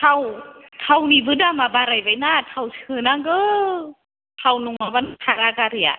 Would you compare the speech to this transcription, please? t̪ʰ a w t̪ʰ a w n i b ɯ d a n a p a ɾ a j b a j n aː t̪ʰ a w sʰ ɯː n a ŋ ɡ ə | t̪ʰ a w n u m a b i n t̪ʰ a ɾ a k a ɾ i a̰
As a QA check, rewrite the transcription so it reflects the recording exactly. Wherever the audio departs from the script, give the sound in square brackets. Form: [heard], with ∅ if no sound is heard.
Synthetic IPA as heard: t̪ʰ a w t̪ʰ a w n i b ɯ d a [m] a [b] a ɾ a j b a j n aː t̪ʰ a w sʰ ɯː n a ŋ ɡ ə | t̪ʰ a w n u [ŋ] a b [a] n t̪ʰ a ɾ a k a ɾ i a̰